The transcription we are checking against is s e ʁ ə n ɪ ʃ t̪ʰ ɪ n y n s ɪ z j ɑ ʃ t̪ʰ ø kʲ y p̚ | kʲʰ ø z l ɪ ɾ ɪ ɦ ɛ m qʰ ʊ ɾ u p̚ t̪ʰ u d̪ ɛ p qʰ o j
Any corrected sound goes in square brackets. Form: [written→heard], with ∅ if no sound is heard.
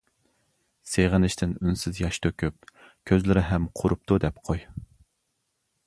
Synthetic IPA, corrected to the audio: s e ʁ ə n ɪ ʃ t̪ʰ ɪ n y n s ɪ z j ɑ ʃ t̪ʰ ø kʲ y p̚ | kʲʰ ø z l ɪ ɾ ɪ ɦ ɛ m qʰ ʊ ɾ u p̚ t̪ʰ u d̪ ɛ p qʰ o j